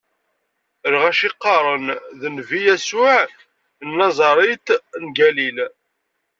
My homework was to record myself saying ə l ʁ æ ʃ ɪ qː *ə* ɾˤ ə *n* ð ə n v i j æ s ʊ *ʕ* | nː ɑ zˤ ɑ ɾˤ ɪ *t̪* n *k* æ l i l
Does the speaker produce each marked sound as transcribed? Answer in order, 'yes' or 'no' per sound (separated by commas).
no, yes, yes, yes, no